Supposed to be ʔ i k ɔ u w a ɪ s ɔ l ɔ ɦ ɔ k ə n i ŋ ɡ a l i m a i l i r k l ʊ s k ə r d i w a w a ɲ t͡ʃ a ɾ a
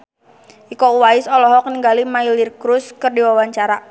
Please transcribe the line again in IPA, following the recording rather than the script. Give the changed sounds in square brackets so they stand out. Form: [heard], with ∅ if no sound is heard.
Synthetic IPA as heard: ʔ i k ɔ u w a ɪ s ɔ l ɔ ɦ ɔ k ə n i ŋ ɡ a l i m a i l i r k [ɾ] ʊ s k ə r d i w a w a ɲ t͡ʃ a ɾ a